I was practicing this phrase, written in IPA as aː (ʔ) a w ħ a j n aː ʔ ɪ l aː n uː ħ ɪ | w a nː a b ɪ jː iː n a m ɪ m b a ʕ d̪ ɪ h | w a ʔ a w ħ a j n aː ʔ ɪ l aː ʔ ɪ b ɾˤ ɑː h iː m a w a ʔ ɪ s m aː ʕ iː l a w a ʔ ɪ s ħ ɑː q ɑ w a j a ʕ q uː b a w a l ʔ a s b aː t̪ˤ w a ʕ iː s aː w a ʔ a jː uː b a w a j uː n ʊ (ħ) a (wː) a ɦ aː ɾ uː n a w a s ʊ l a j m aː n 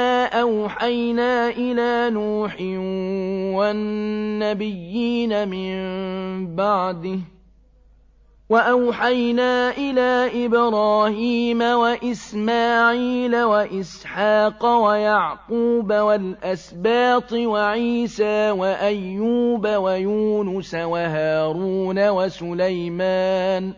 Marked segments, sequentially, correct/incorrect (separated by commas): correct, incorrect, incorrect